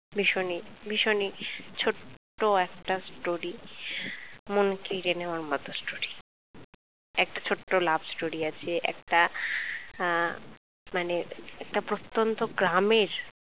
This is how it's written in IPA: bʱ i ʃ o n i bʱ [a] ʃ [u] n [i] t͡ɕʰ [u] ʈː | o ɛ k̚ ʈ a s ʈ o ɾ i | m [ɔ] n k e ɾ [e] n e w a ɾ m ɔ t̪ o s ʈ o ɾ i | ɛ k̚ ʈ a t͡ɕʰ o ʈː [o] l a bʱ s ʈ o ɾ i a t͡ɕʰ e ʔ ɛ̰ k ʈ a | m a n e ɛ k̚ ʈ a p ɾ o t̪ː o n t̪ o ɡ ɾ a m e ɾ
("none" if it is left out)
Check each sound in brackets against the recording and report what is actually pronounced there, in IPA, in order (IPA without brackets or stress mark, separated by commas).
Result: i, o, i, o, o, e, o